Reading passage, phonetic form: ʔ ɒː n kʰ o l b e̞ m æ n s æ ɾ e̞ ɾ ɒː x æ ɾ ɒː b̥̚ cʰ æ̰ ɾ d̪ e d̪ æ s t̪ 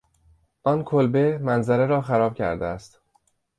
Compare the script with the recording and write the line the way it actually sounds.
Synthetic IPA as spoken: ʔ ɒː n kʰ o l b e̞ m æ n z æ ɾ e̞ ɾ ɒː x æ ɾ ɒː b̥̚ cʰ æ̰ ɾ d̪ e æ s t̪